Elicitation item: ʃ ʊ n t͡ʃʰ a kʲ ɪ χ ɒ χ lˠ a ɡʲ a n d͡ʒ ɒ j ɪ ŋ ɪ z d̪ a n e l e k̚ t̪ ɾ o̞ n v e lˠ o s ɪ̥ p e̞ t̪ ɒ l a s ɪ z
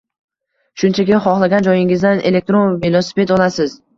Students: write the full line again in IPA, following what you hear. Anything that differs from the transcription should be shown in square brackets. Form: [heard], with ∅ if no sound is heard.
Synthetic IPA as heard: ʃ ʊ n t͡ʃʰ a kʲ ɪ χ ɒ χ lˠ a ɡʲ a n d͡ʒ ɒ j ɪ ŋ ɪ z d̪ a n e l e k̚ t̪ ɾ o̞ n v e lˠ o s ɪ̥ p e̞ t̪ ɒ l a s ɪ z